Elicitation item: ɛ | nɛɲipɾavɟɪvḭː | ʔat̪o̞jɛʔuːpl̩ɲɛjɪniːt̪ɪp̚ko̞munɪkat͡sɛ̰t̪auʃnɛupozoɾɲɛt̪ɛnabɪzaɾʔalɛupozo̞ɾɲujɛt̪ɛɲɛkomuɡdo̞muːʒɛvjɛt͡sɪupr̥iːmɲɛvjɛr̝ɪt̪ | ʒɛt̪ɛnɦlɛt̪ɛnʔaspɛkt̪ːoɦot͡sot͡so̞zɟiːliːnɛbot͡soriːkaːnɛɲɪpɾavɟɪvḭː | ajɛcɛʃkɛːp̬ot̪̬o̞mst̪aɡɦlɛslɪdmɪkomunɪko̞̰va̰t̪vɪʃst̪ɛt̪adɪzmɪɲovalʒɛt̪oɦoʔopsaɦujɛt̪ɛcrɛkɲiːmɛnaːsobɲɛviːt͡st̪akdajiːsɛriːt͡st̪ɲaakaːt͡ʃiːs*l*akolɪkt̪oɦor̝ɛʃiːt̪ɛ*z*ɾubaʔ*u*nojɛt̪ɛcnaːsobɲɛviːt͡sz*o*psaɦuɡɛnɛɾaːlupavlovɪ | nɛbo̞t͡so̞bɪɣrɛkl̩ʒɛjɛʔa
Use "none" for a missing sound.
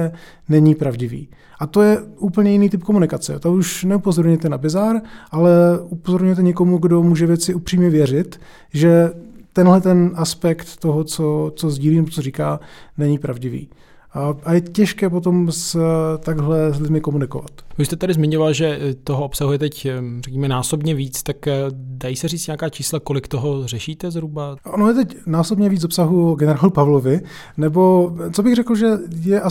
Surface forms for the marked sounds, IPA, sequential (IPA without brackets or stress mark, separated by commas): l, z, o, o